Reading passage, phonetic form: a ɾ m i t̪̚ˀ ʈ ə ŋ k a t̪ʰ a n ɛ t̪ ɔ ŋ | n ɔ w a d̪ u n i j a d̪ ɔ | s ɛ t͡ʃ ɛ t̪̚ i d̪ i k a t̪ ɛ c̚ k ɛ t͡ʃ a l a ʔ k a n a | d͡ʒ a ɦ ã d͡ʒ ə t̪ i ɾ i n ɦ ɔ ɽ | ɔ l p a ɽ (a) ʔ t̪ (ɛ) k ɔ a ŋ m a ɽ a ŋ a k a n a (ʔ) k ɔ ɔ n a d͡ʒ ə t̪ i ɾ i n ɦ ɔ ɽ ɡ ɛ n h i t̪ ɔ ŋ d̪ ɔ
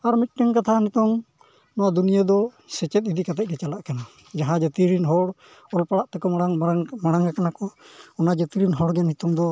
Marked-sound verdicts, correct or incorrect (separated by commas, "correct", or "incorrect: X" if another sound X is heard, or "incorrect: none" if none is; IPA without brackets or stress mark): correct, correct, incorrect: none